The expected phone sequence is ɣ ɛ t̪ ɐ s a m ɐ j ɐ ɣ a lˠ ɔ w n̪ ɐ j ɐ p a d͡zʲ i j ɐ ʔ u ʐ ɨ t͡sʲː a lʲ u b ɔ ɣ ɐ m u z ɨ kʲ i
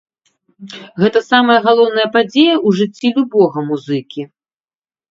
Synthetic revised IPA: ɣ ɛ t̪ ɐ s a m ɐ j ɐ ɣ a lˠ ɔ w n̪ ɐ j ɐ p a d͡zʲ e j ɐ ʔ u ʐ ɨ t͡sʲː i lʲ u b ɔ ɣ ɐ m u z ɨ kʲ i